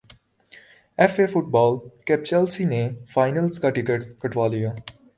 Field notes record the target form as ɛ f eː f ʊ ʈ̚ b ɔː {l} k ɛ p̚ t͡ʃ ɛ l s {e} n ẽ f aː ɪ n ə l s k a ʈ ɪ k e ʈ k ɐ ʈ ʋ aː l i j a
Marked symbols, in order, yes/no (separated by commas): yes, no